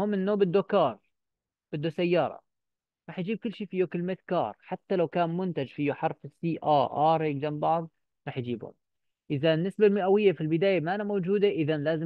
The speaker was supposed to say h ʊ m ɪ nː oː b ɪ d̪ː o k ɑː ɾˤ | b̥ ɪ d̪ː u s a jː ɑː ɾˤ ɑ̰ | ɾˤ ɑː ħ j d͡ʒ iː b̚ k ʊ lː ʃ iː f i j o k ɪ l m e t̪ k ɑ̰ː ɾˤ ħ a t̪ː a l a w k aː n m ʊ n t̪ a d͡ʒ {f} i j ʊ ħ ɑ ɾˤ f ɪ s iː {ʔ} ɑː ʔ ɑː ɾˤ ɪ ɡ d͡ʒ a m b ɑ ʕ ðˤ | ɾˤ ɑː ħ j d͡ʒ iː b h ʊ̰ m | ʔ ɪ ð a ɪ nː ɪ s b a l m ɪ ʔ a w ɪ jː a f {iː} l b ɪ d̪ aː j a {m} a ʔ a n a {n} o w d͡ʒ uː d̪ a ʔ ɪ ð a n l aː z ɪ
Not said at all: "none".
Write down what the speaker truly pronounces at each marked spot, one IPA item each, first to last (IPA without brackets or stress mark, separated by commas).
f, ʔ, i, m, m